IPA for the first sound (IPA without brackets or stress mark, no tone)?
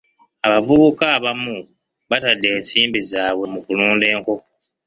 a